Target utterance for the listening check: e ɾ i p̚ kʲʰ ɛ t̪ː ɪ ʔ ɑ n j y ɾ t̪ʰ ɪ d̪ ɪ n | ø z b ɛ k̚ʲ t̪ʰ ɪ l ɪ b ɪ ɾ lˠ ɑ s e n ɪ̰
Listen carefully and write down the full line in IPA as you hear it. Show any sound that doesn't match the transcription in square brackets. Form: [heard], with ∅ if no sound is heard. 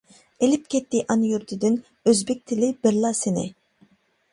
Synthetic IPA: e [l] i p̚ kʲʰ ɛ t̪ː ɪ ʔ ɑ n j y ɾ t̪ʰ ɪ d̪ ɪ n | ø z b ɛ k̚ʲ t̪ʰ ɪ l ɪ b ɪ ɾ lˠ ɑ s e n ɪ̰